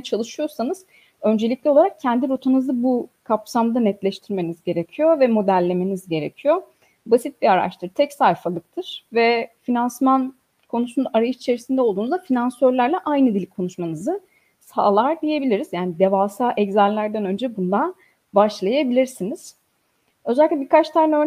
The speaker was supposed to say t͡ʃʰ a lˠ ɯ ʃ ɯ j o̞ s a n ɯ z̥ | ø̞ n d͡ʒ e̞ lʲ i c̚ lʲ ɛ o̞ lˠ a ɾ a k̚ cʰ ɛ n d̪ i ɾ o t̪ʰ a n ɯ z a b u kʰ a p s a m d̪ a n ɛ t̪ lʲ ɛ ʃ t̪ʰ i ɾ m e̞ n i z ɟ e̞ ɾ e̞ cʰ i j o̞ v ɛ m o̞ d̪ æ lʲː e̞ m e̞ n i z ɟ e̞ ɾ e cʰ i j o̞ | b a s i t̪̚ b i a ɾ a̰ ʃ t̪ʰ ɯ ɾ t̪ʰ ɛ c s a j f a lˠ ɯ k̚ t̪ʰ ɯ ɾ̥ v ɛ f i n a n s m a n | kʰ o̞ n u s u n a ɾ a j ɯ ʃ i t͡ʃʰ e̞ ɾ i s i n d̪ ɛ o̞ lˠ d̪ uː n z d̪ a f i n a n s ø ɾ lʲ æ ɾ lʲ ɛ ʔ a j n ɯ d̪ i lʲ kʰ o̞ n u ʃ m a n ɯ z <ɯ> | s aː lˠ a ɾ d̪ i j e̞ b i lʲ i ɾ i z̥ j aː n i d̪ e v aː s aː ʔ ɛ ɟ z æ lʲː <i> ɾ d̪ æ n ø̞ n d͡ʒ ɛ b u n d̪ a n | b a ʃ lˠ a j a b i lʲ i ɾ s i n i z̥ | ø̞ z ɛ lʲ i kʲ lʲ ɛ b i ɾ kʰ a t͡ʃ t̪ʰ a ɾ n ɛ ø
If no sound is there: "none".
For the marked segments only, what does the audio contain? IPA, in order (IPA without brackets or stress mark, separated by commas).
ɯ, æ